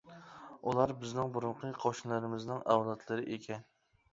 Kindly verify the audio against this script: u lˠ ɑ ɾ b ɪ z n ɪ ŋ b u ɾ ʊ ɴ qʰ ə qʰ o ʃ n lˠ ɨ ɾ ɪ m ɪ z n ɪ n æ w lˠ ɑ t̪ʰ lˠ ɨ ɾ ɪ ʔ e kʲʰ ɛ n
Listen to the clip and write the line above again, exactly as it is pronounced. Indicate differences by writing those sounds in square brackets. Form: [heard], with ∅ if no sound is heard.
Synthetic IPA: u lˠ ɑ ɾ b ɪ z n ɪ ŋ b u ɾ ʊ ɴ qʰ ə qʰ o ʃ n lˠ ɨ ɾ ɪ m ɪ z n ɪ [ŋ] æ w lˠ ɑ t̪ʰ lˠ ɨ ɾ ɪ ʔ e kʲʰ ɛ n